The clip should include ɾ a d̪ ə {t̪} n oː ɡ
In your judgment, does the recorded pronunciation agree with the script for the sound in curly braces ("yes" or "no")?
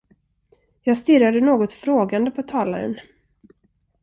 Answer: no